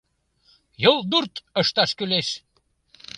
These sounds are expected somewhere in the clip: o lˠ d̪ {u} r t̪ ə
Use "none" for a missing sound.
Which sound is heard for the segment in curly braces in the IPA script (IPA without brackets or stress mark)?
u